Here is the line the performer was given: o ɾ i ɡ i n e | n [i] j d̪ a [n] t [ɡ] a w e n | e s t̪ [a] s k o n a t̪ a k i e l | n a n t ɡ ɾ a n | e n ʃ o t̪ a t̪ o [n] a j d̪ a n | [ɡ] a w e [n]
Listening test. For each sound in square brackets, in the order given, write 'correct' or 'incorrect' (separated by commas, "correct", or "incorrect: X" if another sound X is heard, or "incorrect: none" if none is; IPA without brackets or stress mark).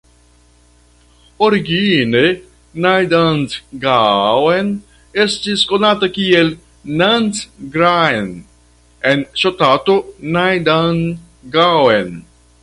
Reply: incorrect: a, correct, correct, incorrect: i, correct, correct, correct